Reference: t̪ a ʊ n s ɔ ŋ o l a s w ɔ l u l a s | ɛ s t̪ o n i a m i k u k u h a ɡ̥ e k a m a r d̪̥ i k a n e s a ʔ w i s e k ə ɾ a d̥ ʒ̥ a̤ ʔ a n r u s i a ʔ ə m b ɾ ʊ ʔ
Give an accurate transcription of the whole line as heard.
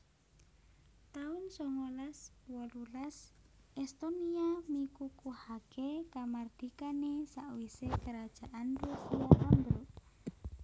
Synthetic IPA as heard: t̪ a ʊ n s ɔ ŋ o l a s w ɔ l u l a s | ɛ s t̪ o n i a m i k u k u h a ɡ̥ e k a m a r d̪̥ i k a n e s a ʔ w i s e k ə ɾ a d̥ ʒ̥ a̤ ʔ a n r u s i a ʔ a m b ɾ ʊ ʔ